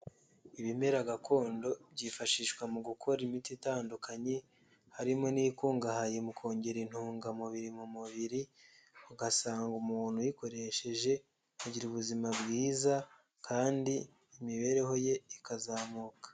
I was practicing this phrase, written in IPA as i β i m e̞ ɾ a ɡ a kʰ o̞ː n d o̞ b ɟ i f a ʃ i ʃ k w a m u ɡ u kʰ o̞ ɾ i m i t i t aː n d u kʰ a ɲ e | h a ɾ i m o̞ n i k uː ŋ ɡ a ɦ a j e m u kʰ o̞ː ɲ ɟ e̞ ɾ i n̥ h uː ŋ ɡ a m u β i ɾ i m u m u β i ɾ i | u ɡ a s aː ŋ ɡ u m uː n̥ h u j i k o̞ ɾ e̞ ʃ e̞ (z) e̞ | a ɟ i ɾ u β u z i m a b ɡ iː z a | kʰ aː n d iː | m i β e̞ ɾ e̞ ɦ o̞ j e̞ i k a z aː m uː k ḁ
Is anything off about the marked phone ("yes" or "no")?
yes